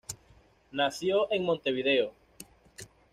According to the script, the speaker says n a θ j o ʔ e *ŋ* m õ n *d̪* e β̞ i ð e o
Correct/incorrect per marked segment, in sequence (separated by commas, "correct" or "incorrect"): correct, incorrect